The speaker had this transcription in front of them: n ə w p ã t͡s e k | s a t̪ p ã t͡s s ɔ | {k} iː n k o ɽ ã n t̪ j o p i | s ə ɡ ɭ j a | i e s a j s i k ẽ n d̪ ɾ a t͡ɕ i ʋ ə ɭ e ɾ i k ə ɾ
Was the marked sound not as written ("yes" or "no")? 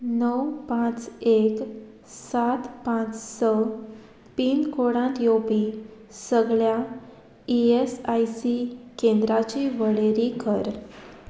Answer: yes